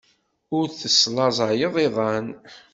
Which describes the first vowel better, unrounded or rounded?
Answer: rounded